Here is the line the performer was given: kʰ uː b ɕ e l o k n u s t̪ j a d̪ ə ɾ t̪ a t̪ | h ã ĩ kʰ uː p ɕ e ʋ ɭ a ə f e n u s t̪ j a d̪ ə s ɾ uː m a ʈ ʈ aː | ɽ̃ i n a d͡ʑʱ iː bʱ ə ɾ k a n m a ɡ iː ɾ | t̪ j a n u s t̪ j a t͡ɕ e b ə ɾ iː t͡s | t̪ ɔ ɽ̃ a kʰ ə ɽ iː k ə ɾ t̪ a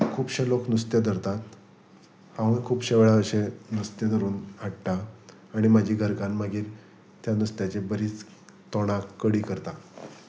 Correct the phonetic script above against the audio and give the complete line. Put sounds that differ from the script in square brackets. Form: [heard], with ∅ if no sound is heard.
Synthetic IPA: kʰ uː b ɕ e l o k n u s t̪ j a d̪ ə ɾ t̪ a t̪ | h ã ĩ kʰ uː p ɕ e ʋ ɭ a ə [ɕ] e n u s t̪ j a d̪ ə [∅] ɾ uː [n] a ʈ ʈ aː | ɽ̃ i [m] a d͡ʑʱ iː [ɡʱ] ə ɾ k a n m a ɡ iː ɾ | t̪ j a n u s t̪ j a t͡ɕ e b ə ɾ iː t͡s | t̪ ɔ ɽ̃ a [k] ə ɽ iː k ə ɾ t̪ a

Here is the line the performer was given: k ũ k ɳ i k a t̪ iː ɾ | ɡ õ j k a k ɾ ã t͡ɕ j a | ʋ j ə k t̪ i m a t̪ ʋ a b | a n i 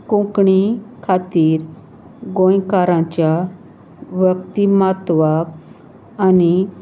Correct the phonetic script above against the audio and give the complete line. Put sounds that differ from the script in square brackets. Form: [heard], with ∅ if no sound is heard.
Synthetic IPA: k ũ k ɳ i [kʰ] a t̪ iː ɾ | ɡ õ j k a [∅] ɾ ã t͡ɕ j a | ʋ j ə k t̪ i m a t̪ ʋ a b | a n i

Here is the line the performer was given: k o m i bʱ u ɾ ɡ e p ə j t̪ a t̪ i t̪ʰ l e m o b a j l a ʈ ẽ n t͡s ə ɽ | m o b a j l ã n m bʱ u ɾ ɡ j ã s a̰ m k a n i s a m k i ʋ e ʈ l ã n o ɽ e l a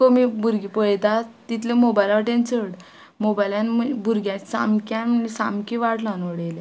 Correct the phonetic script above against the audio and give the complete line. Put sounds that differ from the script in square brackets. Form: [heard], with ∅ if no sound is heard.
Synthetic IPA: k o m i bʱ u ɾ ɡ [i] p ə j t̪ a t̪ i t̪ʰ l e m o b a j l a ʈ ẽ n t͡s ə ɽ | m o b a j l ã n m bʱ u ɾ ɡ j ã s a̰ m k a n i s a m k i ʋ [a] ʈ l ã n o ɽ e l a

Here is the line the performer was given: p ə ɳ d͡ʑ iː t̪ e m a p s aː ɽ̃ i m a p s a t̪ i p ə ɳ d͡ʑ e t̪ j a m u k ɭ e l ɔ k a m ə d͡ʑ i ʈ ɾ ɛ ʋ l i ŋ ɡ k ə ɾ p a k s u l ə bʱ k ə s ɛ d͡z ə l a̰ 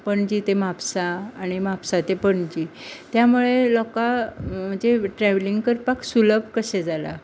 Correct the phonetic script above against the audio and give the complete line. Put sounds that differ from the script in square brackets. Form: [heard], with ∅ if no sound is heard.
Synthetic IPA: p ə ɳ d͡ʑ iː t̪ e m a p s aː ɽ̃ i m a p s a t̪ [e] p ə ɳ d͡ʑ [i] t̪ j a m u [∅] ɭ e l ɔ k a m ə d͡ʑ [e] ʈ ɾ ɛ ʋ l i ŋ ɡ k ə ɾ p a k s u l ə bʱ k ə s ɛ d͡z [a] l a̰

